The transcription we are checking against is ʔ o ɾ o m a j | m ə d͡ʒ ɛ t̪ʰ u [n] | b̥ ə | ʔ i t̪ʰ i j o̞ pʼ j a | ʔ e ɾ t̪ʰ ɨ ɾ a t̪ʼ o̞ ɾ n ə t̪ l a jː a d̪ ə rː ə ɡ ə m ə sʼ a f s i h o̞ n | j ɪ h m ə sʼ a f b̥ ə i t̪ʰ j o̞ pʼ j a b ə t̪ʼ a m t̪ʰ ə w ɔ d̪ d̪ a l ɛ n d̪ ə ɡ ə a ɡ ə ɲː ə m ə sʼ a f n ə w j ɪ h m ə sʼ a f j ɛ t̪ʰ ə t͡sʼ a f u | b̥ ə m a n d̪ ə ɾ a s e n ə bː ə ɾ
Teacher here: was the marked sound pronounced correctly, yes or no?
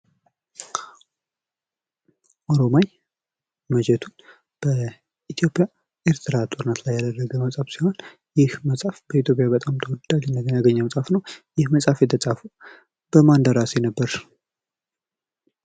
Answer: yes